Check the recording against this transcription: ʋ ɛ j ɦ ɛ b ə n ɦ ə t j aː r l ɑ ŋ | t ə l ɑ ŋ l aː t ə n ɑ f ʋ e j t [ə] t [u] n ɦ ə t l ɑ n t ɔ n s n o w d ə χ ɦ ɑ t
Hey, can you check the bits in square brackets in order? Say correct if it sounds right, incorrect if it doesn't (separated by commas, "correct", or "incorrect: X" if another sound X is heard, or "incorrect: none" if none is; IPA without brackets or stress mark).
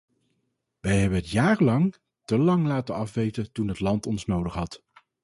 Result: correct, correct